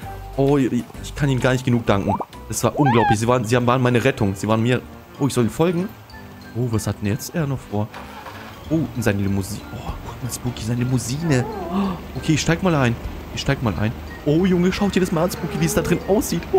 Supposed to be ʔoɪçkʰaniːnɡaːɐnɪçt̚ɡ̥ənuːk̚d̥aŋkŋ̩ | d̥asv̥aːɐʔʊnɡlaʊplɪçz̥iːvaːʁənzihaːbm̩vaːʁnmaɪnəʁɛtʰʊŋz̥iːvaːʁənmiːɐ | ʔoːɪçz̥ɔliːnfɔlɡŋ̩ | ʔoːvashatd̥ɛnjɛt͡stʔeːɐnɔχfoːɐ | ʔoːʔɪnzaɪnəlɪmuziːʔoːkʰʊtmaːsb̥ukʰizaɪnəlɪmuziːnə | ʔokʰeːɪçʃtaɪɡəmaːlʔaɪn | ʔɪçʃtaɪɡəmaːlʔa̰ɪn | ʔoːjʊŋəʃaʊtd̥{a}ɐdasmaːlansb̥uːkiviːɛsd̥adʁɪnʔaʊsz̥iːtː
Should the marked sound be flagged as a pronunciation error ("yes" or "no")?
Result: yes